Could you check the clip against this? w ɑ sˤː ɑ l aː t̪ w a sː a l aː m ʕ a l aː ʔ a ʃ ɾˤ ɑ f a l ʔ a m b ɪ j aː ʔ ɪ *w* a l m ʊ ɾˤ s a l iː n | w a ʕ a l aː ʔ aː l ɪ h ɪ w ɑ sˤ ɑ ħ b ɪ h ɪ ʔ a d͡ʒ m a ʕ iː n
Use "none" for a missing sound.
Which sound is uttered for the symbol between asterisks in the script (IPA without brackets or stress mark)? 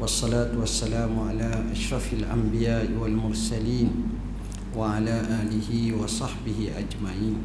w